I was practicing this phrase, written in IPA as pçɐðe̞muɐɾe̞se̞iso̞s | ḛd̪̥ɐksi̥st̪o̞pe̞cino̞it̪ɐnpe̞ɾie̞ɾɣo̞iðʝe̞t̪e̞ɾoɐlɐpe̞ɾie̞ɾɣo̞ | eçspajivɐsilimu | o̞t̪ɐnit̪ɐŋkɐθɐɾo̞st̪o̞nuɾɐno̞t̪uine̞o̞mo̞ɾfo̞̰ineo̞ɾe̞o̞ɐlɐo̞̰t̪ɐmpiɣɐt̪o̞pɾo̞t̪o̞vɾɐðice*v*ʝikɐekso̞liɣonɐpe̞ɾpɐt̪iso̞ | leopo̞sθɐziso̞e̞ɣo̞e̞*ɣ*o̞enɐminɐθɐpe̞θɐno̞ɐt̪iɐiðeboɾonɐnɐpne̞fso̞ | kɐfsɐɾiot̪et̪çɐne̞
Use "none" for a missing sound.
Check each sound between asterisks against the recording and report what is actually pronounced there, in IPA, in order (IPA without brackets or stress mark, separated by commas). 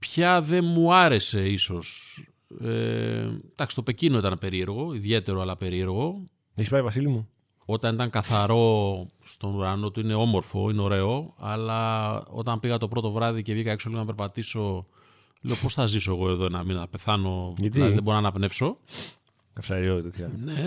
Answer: v, ð